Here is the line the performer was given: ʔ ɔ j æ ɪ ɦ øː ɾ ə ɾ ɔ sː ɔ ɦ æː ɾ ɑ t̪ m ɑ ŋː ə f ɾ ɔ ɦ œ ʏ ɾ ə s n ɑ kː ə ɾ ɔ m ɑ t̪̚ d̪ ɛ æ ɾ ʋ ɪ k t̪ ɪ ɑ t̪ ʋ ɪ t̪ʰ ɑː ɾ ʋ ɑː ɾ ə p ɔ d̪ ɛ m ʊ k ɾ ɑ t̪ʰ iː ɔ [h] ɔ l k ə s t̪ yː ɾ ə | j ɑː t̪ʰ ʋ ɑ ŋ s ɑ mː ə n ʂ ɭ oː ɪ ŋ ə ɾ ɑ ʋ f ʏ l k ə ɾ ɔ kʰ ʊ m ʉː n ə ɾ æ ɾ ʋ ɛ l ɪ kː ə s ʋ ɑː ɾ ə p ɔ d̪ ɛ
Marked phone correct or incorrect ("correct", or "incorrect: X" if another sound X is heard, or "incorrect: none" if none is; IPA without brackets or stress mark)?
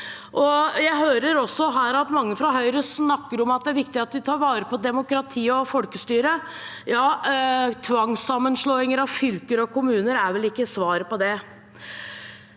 incorrect: f